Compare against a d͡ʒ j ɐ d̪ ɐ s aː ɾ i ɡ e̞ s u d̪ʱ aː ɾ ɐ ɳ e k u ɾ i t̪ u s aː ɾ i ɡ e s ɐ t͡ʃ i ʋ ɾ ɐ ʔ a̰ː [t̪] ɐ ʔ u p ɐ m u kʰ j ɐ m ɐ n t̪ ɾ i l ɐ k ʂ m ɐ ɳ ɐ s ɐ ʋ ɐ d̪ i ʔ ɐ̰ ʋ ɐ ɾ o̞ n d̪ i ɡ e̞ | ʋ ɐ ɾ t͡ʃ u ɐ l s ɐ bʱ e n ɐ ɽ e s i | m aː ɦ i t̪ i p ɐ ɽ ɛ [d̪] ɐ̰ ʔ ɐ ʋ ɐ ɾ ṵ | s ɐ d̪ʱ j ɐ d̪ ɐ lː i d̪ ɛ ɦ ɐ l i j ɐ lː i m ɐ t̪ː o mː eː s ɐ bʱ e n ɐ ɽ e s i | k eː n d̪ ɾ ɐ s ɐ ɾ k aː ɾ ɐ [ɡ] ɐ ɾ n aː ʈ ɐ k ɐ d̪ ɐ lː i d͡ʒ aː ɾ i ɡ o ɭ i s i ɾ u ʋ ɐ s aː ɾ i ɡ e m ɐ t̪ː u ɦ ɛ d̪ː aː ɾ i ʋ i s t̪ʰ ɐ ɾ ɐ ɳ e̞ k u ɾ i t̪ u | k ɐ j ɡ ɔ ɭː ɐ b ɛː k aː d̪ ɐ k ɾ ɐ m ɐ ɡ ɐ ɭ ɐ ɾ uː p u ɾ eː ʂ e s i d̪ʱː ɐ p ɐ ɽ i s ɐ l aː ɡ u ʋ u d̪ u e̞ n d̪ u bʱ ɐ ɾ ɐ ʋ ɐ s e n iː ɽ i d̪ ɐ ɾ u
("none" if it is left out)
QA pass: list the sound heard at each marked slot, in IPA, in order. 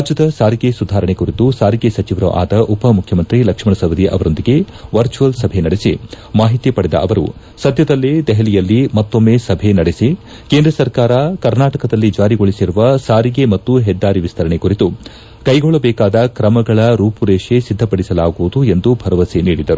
d̪, d̪, k

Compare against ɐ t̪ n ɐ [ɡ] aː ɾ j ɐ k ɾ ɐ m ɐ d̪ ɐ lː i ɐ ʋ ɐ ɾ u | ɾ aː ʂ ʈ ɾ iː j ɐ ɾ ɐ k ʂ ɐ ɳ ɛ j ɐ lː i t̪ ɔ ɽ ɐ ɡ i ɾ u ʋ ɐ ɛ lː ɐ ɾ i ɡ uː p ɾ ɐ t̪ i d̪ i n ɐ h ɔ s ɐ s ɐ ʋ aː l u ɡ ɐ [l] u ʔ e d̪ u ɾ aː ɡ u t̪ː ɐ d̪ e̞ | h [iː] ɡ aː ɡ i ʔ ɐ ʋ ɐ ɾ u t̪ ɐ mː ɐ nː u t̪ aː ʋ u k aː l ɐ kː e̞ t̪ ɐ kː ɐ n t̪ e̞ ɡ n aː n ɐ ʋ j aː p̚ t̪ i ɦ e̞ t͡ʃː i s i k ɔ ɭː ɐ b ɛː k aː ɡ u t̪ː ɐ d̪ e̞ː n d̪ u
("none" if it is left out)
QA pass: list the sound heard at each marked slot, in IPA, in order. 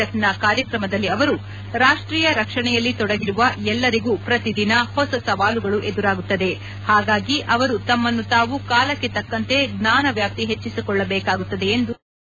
k, ɭ, aː

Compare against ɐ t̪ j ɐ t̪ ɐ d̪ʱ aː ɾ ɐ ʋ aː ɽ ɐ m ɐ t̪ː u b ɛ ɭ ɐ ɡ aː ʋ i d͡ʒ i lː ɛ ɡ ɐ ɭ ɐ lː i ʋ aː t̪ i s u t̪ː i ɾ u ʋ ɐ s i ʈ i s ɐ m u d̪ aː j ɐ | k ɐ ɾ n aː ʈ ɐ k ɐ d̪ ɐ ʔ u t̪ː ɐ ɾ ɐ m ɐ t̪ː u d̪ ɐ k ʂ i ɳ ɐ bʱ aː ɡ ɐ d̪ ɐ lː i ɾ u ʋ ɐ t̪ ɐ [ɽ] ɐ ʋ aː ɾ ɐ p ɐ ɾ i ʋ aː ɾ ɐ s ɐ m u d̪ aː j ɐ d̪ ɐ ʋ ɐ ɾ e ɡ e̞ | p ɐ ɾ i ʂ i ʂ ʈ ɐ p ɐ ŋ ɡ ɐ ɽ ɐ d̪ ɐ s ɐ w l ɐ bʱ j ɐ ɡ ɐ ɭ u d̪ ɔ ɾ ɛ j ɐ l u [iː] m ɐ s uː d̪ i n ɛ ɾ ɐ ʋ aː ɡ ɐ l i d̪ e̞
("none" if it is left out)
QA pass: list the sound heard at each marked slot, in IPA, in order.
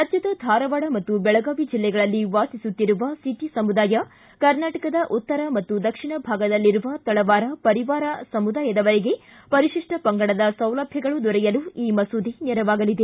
ɭ, iː

